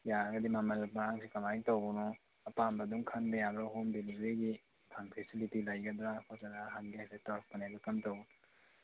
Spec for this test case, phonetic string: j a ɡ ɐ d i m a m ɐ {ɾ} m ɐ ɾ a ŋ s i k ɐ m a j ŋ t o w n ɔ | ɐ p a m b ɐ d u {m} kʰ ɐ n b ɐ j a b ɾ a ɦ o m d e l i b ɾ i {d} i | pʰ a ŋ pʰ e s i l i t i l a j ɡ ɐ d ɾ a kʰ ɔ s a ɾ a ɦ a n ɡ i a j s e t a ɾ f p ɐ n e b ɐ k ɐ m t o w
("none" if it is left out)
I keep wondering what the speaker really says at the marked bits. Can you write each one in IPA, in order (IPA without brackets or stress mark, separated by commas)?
l, ŋ, ɡ